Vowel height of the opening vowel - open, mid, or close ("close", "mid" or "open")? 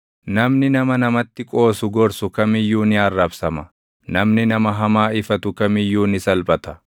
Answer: open